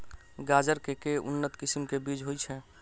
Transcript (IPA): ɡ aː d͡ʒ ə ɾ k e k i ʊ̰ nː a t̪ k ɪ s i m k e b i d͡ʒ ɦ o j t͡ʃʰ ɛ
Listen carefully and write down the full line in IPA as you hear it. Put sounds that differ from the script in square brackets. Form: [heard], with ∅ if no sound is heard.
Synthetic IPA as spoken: ɡ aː d͡ʒ ə ɾ k e k [e] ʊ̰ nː [ə] t̪ k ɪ s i m k e b i d͡ʒ ɦ o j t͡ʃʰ ɛ

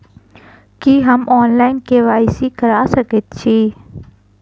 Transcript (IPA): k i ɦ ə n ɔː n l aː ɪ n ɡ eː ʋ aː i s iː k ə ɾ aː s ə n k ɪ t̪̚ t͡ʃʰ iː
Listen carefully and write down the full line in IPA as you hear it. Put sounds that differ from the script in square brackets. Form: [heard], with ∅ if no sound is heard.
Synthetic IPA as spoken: k i ɦ ə [m] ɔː n l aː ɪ n [k] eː ʋ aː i s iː k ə ɾ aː s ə [∅] k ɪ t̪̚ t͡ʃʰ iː

